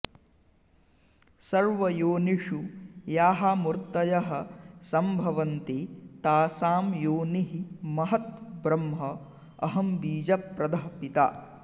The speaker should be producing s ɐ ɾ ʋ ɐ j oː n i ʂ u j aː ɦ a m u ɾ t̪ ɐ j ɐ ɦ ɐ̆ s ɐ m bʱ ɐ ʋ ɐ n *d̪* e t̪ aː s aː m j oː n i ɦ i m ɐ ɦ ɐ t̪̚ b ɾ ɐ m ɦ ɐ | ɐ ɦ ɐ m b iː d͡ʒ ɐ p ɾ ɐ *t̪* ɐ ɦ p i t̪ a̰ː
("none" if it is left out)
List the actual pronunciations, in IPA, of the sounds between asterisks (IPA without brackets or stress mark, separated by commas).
t̪, d̪